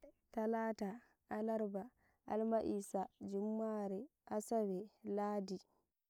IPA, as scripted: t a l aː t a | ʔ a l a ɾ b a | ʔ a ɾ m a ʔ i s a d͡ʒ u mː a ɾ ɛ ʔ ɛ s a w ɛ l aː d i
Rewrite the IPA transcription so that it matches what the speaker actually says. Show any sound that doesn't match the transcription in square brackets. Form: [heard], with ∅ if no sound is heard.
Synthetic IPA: t a l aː t a | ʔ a l a ɾ b a | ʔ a [l] m a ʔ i s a d͡ʒ u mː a ɾ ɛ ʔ [a] s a w ɛ l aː d i